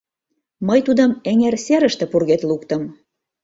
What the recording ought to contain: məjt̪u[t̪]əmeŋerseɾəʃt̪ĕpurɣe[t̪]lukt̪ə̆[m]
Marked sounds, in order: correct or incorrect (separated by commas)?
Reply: incorrect, correct, correct